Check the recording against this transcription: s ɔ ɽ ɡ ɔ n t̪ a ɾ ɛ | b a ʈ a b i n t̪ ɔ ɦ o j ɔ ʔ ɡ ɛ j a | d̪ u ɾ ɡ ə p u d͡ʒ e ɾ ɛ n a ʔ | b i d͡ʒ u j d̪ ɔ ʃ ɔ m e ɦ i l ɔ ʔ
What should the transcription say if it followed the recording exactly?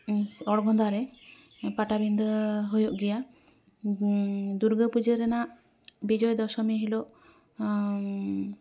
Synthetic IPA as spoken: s ɔ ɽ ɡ ɔ n d̪ a ɾ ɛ | p a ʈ a b i n d̪ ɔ ɦ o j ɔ ʔ ɡ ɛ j a | d̪ u ɾ ɡ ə p u d͡ʒ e ɾ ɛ n a ʔ | b i d͡ʒ ɔ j d̪ ɔ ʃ ɔ m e ɦ i l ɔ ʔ